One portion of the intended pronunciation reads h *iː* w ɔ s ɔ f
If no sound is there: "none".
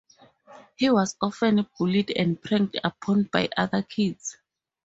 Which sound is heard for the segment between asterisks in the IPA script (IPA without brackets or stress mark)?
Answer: i